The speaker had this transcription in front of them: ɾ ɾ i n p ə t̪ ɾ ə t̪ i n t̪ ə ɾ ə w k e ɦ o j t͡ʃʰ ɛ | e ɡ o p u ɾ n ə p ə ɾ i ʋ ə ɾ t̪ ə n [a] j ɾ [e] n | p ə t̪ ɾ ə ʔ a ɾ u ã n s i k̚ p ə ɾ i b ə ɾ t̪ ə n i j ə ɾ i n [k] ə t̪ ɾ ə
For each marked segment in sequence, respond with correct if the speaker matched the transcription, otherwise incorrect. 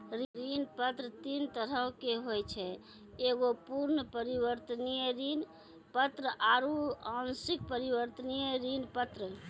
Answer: incorrect: i, incorrect: i, incorrect: p

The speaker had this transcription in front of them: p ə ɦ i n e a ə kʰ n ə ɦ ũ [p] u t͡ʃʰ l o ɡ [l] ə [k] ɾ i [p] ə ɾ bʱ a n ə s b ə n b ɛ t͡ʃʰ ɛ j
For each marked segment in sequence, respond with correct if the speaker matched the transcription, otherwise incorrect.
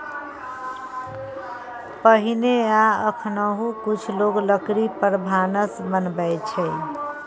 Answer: incorrect: k, correct, correct, correct

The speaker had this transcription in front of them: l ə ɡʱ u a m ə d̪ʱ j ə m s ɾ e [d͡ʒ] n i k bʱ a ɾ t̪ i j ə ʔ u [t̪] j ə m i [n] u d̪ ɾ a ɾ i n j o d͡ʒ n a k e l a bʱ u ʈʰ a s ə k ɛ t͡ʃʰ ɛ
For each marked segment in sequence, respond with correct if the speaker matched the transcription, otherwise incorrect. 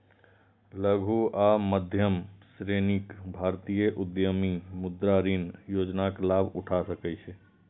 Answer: incorrect: none, incorrect: d̪, incorrect: m

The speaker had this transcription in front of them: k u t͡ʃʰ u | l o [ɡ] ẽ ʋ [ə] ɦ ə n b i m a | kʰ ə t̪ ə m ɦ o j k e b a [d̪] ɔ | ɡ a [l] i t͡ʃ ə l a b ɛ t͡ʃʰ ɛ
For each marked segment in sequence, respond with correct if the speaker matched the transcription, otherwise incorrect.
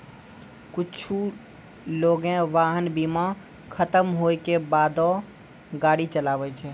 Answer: correct, incorrect: a, correct, incorrect: ɽ

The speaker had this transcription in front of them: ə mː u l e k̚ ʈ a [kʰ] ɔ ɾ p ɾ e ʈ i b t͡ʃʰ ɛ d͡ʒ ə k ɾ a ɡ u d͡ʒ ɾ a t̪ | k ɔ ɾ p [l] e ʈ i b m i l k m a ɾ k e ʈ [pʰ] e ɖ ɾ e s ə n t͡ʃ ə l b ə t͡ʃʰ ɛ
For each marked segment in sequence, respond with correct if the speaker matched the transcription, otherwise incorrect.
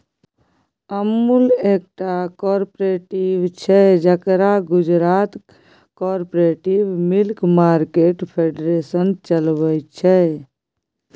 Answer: incorrect: k, incorrect: ɾ, correct

